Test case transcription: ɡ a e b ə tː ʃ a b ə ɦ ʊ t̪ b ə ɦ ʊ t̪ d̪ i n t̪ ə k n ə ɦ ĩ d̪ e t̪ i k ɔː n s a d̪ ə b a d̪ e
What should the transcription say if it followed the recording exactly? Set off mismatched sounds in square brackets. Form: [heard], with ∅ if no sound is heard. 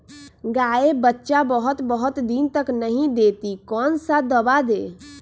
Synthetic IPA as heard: ɡ a e b ə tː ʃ a b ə ɦ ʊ t̪ b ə ɦ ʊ t̪ d̪ i n t̪ ə k n ə ɦ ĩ d̪ e t̪ i k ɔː n s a d̪ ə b a d̪ e